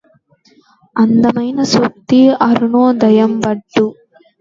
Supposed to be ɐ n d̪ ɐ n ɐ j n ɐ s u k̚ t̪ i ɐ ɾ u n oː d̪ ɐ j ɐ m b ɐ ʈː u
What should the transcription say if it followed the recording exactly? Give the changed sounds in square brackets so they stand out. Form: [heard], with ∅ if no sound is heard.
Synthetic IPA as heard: ɐ n d̪ ɐ [m] ɐ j n ɐ s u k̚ t̪ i ɐ ɾ u n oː d̪ ɐ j ɐ m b ɐ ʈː u